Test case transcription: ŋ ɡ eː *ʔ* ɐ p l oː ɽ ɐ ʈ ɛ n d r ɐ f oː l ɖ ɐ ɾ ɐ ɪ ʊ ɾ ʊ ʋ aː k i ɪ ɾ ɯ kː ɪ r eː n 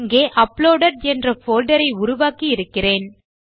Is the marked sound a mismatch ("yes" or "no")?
no